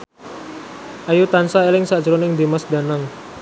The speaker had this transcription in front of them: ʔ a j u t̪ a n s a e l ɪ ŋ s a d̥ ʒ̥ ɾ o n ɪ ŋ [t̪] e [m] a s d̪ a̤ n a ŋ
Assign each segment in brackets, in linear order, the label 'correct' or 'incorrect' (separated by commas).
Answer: incorrect, correct